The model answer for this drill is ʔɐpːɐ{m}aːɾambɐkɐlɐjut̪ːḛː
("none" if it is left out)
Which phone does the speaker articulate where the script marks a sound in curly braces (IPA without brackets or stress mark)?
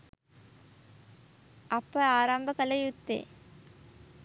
none